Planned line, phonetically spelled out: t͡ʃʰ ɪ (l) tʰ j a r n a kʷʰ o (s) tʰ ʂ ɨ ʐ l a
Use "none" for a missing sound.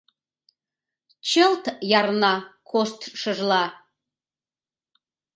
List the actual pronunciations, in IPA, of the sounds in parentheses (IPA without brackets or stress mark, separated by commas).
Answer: l, s